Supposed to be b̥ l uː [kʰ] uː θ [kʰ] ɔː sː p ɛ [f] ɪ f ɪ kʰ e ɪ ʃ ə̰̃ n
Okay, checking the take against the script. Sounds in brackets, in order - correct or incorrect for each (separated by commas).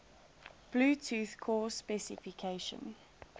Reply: incorrect, correct, incorrect